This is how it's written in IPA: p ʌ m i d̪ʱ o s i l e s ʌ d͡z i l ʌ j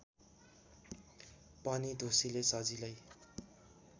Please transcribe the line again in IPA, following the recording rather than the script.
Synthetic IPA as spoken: p ʌ n i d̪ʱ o s i l e s ʌ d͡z i l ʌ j